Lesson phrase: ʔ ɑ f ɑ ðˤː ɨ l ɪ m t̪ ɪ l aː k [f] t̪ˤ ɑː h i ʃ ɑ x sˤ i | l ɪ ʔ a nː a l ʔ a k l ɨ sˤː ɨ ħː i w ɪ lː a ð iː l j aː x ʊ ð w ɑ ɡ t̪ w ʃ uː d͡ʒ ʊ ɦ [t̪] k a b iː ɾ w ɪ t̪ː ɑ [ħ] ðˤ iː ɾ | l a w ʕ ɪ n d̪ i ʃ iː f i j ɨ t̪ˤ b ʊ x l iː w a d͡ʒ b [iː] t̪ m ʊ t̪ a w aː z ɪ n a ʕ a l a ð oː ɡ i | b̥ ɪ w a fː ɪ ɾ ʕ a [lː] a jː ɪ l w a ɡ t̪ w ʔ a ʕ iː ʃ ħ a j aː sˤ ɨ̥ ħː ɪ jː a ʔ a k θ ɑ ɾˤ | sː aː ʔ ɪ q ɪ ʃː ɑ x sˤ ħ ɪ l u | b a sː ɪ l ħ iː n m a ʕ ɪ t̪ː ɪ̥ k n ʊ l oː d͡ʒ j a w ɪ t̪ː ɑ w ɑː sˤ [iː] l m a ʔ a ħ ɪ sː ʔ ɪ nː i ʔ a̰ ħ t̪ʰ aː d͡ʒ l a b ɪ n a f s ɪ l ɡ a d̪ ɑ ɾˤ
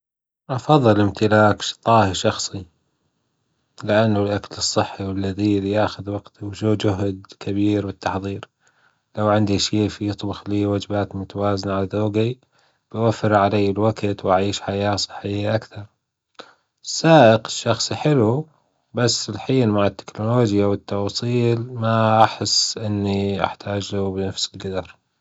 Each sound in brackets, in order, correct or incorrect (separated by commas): incorrect, incorrect, correct, incorrect, incorrect, correct